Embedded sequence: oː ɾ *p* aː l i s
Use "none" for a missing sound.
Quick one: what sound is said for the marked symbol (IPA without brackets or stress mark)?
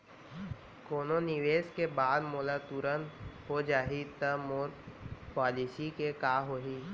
p